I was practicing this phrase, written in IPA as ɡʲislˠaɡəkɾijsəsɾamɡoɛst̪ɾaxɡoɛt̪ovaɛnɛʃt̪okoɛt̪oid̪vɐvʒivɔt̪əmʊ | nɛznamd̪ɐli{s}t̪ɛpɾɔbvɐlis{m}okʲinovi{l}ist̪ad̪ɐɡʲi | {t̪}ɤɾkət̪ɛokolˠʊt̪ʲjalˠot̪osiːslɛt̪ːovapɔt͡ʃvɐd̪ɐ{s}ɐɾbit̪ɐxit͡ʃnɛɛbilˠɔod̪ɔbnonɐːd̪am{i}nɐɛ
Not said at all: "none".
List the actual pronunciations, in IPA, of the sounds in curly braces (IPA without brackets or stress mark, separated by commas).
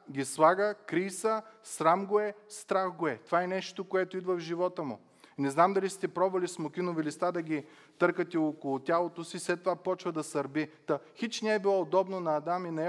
s, m, l, t̪, s, i